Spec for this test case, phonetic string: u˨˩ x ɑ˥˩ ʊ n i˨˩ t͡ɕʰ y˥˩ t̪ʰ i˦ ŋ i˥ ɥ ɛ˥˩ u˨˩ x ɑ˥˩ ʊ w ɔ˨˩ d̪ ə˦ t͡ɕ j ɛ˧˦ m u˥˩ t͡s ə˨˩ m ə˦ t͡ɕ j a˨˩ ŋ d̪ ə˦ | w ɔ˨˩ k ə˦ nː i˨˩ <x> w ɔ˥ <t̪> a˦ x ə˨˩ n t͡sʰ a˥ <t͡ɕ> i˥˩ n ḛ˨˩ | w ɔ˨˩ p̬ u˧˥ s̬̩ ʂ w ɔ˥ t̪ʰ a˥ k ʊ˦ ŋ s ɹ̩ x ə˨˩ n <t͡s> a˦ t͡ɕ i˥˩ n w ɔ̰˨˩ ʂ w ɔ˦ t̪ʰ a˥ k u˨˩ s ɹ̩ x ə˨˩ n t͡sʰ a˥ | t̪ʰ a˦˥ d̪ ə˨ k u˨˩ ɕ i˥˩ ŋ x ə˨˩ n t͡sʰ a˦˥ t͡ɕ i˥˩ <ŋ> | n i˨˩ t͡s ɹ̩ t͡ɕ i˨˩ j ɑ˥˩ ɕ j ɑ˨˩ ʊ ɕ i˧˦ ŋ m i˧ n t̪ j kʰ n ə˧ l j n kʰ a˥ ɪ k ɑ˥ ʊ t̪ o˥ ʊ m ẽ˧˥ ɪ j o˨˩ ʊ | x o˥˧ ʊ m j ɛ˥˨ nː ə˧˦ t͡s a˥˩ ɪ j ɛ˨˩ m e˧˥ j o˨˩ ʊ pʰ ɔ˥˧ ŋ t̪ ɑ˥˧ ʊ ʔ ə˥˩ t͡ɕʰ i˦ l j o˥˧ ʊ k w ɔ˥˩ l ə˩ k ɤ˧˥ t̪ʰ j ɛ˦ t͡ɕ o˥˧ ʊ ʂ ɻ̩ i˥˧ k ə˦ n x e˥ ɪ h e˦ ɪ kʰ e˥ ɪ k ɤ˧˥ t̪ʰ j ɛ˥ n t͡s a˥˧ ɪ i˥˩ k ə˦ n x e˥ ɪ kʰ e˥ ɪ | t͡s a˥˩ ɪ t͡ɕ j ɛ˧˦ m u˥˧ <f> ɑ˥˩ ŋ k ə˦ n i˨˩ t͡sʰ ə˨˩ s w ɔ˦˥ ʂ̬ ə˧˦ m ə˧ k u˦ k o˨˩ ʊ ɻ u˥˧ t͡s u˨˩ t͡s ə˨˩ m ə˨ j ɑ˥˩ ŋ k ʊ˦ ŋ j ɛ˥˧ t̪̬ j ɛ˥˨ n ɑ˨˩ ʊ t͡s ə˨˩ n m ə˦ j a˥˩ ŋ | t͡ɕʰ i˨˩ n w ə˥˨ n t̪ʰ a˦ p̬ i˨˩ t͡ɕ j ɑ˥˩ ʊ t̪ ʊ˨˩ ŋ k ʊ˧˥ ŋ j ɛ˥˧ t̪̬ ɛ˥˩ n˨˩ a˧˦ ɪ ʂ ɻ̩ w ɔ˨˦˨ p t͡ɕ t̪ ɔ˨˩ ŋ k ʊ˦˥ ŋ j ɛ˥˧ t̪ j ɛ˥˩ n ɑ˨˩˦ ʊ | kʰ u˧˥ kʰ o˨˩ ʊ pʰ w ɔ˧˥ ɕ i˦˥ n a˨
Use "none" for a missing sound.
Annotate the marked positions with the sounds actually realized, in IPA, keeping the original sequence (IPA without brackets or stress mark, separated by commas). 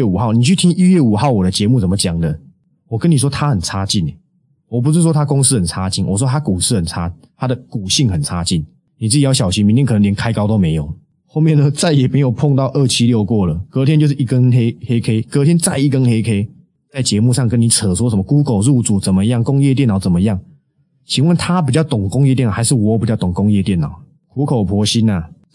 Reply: ʂ, t̪ʰ, t͡ɕ, t͡sʰ, n, ʂ